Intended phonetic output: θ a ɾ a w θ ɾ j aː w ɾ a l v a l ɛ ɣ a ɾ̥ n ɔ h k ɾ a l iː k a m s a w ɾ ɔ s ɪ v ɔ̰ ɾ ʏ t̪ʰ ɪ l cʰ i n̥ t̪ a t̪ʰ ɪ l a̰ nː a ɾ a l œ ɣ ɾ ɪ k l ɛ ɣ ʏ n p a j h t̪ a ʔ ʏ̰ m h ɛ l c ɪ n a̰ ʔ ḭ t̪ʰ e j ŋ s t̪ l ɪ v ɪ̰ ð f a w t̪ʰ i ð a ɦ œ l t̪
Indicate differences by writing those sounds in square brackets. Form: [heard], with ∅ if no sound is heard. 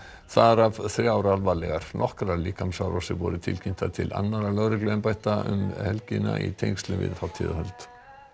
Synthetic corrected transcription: θ a ɾ a [v] θ ɾ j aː w ɾ a l v a l ɛ ɣ a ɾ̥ n ɔ h k ɾ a l iː k a m s a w ɾ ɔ s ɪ v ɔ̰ ɾ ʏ t̪ʰ ɪ l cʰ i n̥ t̪ a t̪ʰ ɪ l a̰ nː a ɾ a l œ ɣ ɾ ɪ k l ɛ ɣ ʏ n p a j h t̪ a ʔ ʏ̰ m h ɛ l c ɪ n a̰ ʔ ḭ t̪ʰ e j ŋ s t̪ l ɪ v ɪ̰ ð f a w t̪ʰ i ð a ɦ œ l t̪